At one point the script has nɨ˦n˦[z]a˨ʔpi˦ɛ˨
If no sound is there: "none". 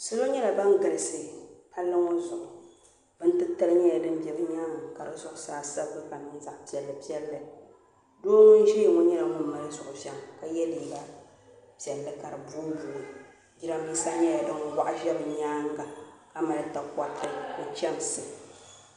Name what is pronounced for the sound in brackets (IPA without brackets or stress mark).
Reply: z